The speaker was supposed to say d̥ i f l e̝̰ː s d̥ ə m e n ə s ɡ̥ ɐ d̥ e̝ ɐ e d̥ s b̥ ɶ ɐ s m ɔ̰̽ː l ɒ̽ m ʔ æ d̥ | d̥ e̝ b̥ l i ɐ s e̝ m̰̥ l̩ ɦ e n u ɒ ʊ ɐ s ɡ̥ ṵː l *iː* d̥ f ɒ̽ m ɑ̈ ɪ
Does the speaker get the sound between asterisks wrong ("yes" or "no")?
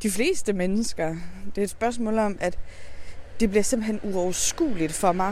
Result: yes